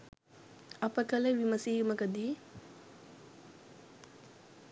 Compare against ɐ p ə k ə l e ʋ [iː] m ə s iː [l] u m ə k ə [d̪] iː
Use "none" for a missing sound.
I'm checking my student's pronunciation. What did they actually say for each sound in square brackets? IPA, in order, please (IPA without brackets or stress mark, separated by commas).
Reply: i, none, d̪